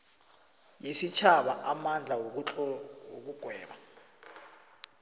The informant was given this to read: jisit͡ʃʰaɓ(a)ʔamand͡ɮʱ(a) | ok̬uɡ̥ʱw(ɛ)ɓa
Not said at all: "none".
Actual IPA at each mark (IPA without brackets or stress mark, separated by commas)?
a, a, ɛː